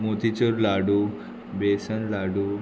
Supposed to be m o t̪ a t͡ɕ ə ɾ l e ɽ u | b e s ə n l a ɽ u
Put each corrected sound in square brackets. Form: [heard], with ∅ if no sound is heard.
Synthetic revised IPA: m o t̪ [i] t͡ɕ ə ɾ l [a] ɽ u | b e s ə n l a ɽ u